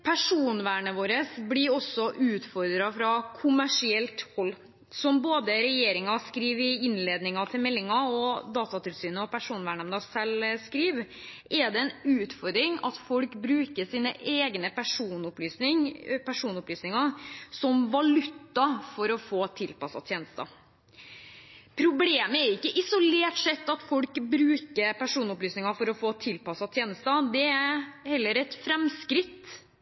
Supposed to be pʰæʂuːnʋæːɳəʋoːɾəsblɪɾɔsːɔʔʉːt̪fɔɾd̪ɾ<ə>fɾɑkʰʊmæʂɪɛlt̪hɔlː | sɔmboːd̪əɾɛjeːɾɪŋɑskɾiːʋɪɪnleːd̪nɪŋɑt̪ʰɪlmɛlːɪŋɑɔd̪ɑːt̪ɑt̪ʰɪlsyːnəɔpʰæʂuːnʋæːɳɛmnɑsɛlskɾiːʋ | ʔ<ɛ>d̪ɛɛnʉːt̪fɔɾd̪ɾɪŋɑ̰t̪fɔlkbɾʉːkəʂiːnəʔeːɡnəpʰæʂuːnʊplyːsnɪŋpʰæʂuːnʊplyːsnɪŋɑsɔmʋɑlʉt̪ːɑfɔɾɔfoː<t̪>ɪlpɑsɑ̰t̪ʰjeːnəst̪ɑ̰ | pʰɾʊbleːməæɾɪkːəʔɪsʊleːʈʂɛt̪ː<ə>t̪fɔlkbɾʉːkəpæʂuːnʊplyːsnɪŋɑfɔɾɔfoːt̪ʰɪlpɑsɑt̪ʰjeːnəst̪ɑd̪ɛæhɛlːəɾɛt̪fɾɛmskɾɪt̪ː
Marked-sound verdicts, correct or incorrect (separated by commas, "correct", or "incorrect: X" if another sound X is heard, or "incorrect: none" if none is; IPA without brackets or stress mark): incorrect: ɑ, correct, incorrect: t̪ʰ, incorrect: ɑ